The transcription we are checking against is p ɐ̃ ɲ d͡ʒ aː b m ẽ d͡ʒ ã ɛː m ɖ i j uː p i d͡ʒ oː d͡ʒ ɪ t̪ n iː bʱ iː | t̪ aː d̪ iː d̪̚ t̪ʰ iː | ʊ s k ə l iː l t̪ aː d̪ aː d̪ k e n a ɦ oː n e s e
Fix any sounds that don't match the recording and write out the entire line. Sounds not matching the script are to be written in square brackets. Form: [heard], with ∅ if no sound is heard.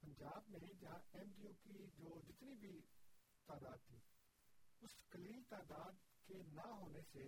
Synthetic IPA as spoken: p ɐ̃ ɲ d͡ʒ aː b m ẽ d͡ʒ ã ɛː m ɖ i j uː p i d͡ʒ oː d͡ʒ ɪ t̪ n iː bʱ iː | t̪ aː d̪ [aː] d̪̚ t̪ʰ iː | ʊ s k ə l iː l t̪ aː d̪ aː d̪ k e n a ɦ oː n e s e